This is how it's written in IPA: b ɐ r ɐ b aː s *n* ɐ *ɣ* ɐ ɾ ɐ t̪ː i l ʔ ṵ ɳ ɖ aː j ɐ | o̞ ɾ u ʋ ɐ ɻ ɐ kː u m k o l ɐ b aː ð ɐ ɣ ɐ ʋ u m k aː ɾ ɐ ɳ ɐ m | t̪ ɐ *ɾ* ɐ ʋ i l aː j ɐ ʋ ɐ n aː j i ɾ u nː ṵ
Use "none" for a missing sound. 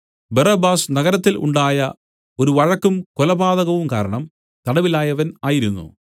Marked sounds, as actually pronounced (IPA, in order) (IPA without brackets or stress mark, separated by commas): n, ɣ, ɽ